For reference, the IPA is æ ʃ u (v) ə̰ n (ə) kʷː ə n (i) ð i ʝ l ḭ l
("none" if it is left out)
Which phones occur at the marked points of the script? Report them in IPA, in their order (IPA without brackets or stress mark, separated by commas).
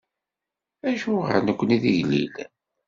ʁ, ə, i